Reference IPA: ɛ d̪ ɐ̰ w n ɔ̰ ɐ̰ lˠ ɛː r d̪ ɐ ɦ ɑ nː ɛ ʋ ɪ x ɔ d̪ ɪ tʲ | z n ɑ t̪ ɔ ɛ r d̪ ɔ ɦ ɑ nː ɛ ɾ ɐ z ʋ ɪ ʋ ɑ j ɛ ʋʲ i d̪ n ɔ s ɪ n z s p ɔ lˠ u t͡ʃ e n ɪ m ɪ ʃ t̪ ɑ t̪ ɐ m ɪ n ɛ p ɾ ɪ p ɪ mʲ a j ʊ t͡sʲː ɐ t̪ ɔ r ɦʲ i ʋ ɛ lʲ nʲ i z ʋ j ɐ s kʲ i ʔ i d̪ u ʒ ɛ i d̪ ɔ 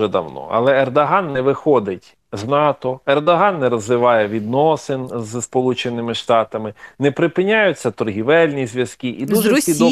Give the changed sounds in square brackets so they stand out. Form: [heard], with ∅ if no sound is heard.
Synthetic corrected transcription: ɛ d̪ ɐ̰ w n ɔ̰ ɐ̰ lˠ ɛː r d̪ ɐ ɦ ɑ nː ɛ ʋ ɪ x ɔ d̪ ɪ tʲ | z n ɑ t̪ ɔ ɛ r d̪ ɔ ɦ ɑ nː ɛ ɾ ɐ z ʋ ɪ ʋ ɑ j ɛ ʋʲ i d̪ n ɔ s ɪ n z s p ɔ lˠ u t͡ʃ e n ɪ m ɪ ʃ t̪ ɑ t̪ ɐ m ɪ n ɛ p ɾ ɪ p ɪ [nʲ] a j ʊ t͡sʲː ɐ t̪ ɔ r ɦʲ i ʋ ɛ lʲ nʲ i z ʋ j ɐ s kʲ i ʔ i d̪ u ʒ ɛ i d̪ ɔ